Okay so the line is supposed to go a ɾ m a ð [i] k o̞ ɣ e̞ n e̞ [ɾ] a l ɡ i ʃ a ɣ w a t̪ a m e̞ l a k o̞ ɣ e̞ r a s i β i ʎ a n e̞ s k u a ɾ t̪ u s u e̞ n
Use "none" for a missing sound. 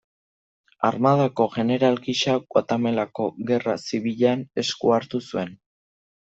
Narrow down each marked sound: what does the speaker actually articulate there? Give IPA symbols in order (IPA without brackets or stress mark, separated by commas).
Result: a, ɾ